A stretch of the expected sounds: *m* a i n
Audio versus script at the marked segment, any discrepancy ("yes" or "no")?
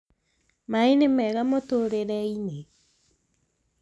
no